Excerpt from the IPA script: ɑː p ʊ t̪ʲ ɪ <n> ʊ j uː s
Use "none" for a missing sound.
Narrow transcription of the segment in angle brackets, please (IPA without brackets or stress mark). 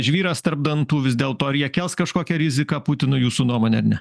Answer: n